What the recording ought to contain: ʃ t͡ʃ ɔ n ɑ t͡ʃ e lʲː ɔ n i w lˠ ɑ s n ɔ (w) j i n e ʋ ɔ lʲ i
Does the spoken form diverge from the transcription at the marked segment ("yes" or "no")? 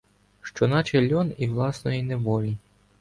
yes